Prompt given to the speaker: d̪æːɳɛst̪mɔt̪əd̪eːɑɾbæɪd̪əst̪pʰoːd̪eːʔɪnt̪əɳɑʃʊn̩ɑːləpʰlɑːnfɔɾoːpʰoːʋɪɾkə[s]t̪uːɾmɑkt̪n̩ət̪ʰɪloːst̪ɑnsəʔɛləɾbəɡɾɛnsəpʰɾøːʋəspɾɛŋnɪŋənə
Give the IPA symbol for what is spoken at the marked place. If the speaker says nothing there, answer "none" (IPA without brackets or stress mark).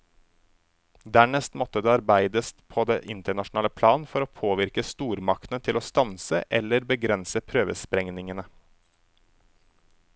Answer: s